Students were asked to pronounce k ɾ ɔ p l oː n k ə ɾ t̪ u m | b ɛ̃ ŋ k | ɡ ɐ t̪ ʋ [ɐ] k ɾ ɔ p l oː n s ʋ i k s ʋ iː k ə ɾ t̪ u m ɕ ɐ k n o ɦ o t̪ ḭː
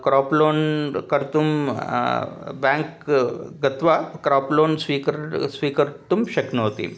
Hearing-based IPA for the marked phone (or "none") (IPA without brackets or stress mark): a